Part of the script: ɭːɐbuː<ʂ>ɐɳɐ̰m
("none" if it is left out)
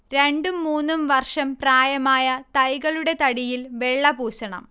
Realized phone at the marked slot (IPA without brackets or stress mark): ɕ